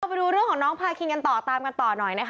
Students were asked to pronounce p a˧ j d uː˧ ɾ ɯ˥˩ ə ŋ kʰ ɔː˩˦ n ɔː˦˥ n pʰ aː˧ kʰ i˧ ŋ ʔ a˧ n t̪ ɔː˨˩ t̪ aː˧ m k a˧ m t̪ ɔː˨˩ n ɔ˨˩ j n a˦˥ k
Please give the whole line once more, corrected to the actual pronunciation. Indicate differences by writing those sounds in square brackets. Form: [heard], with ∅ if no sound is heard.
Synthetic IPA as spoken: p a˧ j d uː˧ ɾ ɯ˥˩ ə ŋ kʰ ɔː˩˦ n ɔː˦˥ [ŋ] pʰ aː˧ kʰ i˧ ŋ [k] a˧ n t̪ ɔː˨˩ t̪ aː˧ m k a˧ [n] t̪ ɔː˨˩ n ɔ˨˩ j n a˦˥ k